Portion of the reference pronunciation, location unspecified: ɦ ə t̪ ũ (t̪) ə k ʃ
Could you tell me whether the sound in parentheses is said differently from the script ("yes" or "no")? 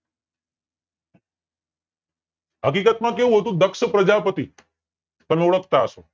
yes